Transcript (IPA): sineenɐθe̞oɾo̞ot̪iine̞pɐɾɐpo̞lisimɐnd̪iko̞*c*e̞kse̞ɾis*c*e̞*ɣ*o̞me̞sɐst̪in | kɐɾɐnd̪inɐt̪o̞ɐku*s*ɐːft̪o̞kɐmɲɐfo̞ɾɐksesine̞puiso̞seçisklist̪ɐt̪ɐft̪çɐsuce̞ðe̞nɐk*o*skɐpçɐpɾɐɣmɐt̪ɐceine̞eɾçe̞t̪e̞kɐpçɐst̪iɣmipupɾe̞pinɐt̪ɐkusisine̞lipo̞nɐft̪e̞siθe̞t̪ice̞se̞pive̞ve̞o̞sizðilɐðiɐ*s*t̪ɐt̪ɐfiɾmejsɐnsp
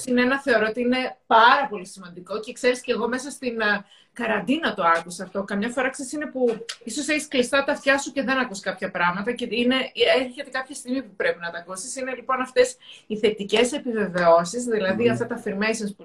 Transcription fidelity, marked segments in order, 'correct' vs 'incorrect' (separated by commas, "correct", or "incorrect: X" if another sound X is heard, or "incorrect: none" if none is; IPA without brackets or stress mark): correct, correct, correct, correct, incorrect: u, incorrect: f